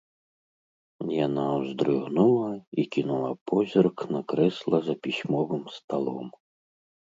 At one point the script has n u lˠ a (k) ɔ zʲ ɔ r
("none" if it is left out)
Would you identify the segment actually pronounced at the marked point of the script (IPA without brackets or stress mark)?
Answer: p